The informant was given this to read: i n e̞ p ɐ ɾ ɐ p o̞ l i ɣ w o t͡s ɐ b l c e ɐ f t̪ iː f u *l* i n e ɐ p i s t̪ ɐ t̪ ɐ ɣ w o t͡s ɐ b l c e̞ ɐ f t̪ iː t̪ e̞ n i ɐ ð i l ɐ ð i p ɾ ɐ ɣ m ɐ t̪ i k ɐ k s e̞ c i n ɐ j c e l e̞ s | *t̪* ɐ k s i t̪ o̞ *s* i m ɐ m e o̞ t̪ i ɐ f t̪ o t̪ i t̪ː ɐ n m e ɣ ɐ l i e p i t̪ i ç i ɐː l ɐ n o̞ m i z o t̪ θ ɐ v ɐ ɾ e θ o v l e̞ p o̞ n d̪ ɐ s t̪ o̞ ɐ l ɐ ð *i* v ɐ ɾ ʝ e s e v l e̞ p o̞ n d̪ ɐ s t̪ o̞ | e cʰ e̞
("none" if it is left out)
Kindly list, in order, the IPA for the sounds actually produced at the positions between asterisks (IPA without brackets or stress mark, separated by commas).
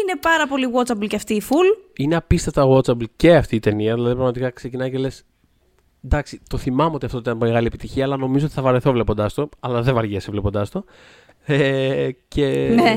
l, d̪, θ, e